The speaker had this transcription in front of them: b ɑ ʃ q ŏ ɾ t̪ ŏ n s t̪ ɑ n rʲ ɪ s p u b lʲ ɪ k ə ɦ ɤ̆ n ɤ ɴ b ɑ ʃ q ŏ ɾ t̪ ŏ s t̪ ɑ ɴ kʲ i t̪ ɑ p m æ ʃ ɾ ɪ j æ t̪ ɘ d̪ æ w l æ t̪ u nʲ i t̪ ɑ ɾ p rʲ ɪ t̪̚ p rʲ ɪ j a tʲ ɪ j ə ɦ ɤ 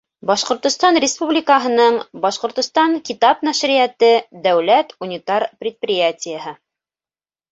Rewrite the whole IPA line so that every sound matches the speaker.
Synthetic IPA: b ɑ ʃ q ŏ ɾ t̪ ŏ s t̪ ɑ n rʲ ɪ s p u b lʲ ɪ k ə ɦ ɤ̆ n ɤ ɴ b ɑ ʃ q ŏ ɾ t̪ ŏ s t̪ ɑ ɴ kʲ i t̪ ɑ p n æ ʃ ɾ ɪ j æ t̪ ɘ d̪ æ w l æ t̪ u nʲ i t̪ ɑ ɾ p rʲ ɪ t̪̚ p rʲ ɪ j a tʲ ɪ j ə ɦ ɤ